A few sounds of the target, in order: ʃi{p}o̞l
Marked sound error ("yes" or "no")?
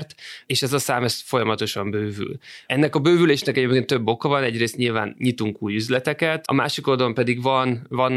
yes